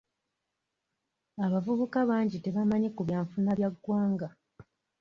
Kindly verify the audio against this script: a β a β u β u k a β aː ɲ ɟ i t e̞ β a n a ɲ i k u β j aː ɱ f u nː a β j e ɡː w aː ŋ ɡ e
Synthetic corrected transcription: a β a v u β u k a β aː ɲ ɟ i t e̞ β a m a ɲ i k u β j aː ɱ f u n a β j a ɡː w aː ŋ ɡ a